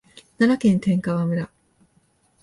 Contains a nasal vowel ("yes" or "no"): yes